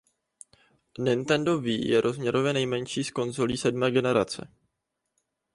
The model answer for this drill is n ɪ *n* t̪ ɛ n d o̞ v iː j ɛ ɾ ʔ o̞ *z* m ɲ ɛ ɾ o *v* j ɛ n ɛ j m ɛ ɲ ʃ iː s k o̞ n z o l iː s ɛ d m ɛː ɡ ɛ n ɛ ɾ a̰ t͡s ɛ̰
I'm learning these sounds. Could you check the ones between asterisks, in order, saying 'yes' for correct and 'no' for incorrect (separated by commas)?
yes, yes, yes